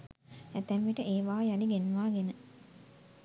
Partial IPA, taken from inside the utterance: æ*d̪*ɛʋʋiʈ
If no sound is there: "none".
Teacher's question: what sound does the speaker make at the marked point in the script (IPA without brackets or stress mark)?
t̪